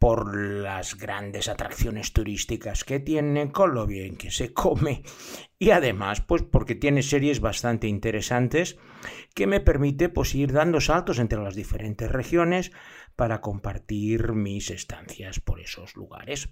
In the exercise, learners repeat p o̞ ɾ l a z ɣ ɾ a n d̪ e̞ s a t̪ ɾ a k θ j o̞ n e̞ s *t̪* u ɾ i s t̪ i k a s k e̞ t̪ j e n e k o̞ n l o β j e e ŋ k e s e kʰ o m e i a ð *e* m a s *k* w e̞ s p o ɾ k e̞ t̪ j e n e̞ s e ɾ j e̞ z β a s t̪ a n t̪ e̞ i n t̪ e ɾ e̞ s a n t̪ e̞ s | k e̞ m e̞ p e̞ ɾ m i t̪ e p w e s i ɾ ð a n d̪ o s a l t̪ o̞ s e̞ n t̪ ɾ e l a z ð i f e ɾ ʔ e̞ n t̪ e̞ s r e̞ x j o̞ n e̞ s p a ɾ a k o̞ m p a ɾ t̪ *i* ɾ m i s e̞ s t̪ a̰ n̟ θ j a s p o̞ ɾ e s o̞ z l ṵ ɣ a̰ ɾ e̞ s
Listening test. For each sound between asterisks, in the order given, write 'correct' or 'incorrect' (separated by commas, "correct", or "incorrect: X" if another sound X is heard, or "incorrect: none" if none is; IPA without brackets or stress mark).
correct, correct, incorrect: p, correct